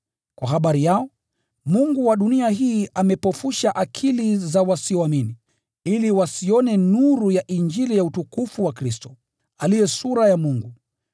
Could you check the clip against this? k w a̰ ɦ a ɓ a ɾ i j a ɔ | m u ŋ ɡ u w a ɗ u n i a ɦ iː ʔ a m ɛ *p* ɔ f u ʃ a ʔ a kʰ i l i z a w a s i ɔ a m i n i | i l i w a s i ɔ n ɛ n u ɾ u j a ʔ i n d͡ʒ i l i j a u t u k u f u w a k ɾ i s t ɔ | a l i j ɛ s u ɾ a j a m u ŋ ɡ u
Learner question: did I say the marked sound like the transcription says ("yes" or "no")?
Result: yes